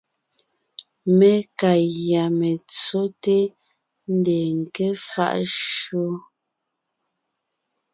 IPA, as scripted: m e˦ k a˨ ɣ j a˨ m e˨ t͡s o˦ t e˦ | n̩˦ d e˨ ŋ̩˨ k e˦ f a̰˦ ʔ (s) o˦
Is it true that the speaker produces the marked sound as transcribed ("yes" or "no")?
no